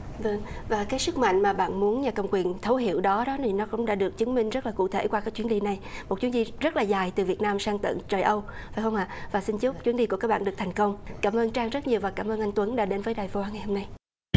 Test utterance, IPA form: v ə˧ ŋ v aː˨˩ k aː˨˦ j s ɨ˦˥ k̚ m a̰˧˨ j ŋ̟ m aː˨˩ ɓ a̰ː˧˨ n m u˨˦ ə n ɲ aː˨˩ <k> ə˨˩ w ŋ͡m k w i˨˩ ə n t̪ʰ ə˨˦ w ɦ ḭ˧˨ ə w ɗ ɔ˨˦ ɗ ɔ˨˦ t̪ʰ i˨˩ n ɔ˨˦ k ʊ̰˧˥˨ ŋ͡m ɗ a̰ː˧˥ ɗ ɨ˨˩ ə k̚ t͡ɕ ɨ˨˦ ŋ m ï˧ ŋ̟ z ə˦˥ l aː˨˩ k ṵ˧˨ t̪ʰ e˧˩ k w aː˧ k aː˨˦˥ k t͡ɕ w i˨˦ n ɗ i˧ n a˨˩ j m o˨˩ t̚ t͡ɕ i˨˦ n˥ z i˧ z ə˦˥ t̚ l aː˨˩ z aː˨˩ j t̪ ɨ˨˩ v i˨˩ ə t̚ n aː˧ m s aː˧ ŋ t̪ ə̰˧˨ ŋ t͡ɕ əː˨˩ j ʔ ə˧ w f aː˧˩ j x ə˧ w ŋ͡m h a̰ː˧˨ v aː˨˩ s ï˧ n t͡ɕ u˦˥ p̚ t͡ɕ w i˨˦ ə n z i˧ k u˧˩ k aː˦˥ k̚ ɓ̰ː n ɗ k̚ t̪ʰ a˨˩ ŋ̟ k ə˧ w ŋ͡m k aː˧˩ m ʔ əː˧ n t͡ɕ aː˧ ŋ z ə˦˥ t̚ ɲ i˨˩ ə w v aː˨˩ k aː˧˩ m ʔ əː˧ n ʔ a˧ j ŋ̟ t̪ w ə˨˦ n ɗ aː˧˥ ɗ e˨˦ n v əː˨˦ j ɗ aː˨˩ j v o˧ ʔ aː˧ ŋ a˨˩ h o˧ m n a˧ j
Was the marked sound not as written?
no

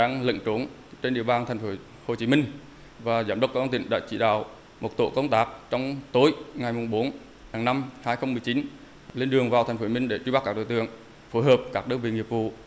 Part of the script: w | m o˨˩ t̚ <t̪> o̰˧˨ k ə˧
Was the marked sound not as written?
no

